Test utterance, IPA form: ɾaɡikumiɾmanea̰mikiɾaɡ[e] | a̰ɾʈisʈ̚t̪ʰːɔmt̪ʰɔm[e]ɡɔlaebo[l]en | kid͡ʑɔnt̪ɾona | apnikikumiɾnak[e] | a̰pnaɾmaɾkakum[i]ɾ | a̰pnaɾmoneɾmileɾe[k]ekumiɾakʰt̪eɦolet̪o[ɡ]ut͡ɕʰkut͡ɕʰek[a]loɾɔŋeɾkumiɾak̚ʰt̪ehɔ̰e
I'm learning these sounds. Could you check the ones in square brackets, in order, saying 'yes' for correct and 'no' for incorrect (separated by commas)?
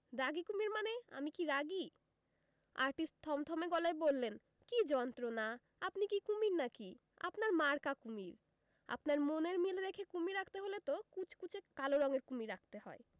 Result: no, yes, no, no, yes, no, no, yes